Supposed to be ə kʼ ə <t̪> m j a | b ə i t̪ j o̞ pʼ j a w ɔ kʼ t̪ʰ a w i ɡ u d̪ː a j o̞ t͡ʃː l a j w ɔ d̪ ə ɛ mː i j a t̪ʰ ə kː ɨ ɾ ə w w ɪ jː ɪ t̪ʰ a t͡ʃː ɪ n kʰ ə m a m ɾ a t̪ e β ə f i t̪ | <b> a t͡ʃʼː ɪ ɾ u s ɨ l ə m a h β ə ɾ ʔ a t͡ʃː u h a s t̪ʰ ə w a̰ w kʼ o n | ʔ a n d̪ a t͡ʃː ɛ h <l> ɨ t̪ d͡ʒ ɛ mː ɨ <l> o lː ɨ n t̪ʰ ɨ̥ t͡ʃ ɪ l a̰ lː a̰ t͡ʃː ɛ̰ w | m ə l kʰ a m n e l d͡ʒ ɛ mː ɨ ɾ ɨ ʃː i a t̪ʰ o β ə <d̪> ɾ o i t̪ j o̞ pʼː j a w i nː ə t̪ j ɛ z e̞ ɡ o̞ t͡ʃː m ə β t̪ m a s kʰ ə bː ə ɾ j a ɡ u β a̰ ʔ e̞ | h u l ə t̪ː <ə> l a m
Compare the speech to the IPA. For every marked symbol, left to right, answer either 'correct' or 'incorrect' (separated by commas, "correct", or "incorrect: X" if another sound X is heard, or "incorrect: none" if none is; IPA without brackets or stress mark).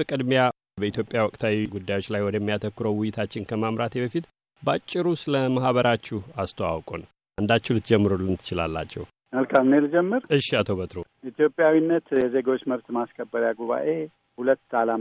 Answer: incorrect: d̪, correct, correct, incorrect: ɾ, incorrect: t̪, incorrect: a